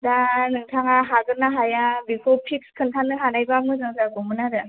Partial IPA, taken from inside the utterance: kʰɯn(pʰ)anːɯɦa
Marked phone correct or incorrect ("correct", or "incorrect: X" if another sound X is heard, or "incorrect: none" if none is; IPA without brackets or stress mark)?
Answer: incorrect: tʰ